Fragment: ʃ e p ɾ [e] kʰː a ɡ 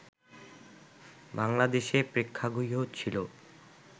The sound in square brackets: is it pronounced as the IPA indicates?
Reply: yes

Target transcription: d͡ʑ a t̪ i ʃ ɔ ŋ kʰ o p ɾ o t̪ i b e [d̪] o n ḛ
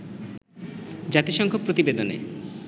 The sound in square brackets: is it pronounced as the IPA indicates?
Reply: yes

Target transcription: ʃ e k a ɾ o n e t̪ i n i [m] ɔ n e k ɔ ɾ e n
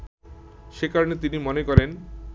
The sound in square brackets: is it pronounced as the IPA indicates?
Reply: yes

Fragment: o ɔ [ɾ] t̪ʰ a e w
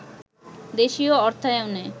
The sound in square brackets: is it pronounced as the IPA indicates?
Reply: yes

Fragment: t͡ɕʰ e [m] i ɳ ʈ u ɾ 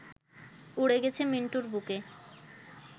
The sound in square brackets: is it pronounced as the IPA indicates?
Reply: yes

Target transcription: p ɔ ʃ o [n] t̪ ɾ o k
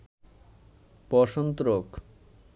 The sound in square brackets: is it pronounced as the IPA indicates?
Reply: yes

